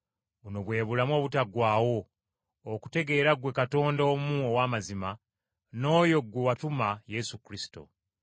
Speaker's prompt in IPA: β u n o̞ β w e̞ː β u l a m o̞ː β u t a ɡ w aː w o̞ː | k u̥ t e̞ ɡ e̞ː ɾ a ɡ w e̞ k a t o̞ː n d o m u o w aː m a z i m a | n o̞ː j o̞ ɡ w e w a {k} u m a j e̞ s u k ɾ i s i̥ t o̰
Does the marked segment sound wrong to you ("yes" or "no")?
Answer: yes